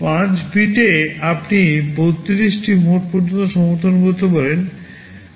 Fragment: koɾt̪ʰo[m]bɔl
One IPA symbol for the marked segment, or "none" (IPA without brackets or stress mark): none